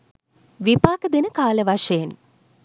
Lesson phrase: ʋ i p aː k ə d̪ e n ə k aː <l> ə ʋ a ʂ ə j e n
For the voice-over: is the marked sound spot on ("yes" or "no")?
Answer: yes